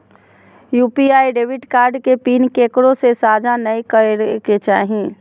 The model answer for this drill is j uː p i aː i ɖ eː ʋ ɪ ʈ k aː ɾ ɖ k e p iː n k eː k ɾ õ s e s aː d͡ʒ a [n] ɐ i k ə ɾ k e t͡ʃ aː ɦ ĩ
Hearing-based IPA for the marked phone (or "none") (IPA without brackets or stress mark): n